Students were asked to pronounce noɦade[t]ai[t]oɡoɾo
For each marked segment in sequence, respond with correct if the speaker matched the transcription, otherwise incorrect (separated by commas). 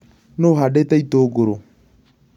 correct, correct